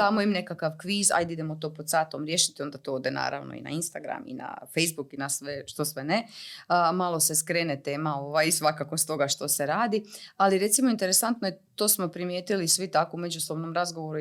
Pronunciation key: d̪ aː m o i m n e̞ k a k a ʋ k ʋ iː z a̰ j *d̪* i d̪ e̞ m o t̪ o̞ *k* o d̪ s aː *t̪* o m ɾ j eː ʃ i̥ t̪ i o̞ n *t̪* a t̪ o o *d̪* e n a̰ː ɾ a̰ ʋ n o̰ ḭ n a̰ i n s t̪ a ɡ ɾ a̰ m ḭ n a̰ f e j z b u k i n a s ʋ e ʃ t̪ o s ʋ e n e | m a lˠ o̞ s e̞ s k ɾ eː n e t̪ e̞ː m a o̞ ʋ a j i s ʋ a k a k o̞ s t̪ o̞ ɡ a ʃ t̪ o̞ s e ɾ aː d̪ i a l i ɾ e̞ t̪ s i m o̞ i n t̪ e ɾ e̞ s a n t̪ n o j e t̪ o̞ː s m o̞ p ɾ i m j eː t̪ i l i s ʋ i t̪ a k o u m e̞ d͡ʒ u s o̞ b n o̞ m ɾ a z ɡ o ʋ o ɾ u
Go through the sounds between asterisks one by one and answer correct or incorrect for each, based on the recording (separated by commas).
correct, incorrect, correct, incorrect, correct